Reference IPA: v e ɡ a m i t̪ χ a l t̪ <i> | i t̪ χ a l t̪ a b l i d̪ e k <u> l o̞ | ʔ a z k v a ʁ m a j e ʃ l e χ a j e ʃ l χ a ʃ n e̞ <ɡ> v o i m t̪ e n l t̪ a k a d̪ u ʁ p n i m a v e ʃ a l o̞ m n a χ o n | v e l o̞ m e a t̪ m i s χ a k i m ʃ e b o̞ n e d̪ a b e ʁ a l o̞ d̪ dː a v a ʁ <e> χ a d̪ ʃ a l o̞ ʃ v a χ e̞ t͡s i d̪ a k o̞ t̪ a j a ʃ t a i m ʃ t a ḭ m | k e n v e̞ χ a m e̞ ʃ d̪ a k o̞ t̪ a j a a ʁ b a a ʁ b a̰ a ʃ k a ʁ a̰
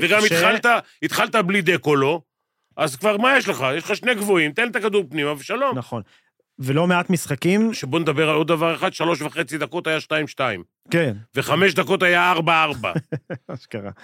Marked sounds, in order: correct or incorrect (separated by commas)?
incorrect, incorrect, correct, correct